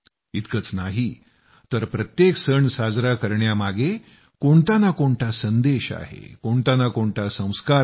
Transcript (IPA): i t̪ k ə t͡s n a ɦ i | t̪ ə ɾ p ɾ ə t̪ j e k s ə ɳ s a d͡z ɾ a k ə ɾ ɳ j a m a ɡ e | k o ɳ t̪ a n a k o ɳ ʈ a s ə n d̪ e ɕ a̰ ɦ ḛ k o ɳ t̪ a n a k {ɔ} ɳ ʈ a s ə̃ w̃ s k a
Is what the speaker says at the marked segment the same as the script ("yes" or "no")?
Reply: no